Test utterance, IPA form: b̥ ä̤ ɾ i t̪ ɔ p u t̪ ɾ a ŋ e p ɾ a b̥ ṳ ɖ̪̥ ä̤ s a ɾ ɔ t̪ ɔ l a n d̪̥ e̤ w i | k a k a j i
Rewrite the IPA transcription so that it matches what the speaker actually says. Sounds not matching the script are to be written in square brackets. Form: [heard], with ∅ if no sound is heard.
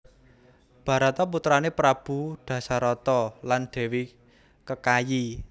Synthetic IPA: b̥ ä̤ ɾ [a] t̪ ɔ p u t̪ ɾ a [n] e p ɾ a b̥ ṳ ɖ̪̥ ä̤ s a ɾ ɔ t̪ ɔ l a n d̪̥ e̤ w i | k [ə] k a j i